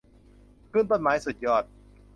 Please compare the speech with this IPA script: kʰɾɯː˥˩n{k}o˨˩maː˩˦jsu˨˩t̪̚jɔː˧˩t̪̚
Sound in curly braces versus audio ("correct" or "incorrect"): incorrect